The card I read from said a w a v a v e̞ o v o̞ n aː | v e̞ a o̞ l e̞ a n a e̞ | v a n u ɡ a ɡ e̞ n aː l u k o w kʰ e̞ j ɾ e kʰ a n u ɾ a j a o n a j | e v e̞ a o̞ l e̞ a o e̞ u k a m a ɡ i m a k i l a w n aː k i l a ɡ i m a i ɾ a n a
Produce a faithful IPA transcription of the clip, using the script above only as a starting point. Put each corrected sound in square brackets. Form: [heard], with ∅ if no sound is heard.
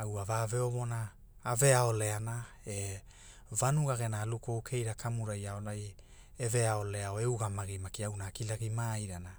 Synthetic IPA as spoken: a w a v a v e̞ o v o̞ n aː | v e̞ a o̞ l e̞ a n a e̞ | v a n u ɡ a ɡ e̞ n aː l u k o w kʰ e̞ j ɾ [a] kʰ a [m] u ɾ a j a o n a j | e v e̞ a o̞ l e̞ a o e̞ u [ɡ] a m a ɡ i m a k i [∅] a w n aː k i l a ɡ i m a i ɾ a n a